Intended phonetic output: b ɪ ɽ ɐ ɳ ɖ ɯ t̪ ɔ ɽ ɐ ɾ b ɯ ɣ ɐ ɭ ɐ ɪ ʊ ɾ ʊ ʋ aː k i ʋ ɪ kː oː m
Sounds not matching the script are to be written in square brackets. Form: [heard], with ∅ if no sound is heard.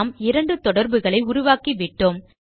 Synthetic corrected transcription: [m] ɪ [ɾ] ɐ ɳ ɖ ɯ t̪ ɔ ɽ ɐ ɾ b ɯ ɣ ɐ ɭ ɐ ɪ ʊ ɾ ʊ ʋ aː k i ʋ ɪ [ʈː] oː m